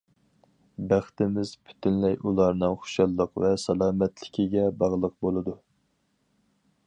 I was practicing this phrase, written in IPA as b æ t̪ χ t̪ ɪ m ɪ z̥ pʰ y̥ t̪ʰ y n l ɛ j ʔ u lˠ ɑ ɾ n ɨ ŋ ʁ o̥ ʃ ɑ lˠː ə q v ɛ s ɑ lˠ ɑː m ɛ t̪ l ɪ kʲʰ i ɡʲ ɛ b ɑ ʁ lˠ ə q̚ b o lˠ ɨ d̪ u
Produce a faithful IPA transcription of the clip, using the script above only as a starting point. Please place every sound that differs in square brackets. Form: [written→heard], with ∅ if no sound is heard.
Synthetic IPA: b æ [t̪→∅] χ t̪ ɪ m ɪ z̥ pʰ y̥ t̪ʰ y n l ɛ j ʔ u lˠ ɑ ɾ n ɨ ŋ [ʁ→χ] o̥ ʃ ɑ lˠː ə q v ɛ s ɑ lˠ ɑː m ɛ t̪ l ɪ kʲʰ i ɡʲ ɛ b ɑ ʁ lˠ ə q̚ b o lˠ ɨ d̪ u